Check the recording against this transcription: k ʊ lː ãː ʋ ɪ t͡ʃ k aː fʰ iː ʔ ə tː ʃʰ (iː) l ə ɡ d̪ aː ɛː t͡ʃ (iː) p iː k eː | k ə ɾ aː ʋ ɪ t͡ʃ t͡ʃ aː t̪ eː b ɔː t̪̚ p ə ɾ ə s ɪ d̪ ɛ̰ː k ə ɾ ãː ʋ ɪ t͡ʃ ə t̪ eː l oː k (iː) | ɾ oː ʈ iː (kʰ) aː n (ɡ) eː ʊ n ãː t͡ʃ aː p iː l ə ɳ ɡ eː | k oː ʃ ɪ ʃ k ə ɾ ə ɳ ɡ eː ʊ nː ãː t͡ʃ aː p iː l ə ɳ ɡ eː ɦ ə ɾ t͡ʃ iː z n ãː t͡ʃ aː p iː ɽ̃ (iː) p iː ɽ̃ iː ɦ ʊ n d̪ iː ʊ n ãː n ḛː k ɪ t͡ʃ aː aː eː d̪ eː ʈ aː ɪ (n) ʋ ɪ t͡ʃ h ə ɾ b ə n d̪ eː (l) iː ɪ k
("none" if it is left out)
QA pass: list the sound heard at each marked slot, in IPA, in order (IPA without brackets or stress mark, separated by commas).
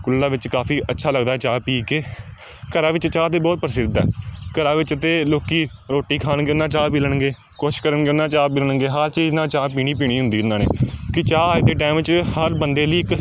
aː, aː, iː, kʰ, ɡ, iː, m, l